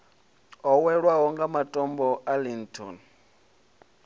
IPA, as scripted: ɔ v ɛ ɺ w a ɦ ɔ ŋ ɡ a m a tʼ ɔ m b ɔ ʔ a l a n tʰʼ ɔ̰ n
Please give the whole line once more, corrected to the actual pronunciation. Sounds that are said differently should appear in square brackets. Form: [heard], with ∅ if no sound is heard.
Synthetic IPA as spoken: ɔ [w] ɛ ɺ w a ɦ ɔ ŋ ɡ a m a tʼ ɔ m b ɔ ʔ a l [i] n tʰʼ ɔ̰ n